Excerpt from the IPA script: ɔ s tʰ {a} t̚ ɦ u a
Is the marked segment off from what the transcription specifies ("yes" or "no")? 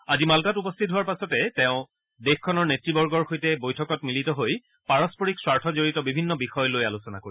yes